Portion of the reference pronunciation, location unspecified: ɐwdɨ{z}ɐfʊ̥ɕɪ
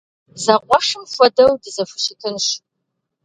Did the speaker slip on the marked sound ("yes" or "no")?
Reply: no